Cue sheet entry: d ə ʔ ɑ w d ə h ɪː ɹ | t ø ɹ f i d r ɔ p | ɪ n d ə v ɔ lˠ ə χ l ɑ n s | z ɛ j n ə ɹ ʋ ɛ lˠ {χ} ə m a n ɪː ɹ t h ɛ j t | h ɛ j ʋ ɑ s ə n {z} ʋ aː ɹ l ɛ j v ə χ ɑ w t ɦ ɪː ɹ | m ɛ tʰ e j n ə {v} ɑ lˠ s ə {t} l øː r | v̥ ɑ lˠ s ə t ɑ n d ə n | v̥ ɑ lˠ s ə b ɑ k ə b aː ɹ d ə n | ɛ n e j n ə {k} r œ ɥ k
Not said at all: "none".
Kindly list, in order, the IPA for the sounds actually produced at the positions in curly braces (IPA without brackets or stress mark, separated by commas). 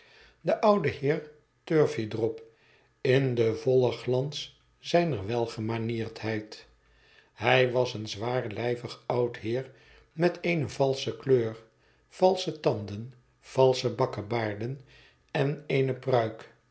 χ, z, v, k, p